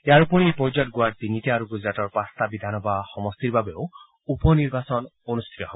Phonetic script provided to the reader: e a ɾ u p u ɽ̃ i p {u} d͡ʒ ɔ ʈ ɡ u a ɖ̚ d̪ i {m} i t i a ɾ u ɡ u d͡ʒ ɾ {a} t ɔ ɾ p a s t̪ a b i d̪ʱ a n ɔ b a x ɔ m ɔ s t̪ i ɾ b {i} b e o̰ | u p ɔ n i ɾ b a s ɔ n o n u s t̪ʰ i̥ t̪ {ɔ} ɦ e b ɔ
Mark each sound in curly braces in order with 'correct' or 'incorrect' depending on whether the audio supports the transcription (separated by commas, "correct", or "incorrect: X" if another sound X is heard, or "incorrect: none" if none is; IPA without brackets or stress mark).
incorrect: ɔ, incorrect: n, correct, incorrect: a, correct